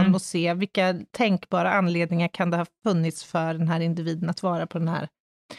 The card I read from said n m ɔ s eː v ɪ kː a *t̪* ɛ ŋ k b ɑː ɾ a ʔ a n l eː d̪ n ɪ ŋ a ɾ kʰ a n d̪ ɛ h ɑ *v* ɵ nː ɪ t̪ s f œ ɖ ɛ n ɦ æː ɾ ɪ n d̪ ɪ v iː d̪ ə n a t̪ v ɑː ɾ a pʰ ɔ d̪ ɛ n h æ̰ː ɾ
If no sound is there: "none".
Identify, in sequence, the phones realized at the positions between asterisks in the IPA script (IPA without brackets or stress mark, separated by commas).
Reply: t̪ʰ, f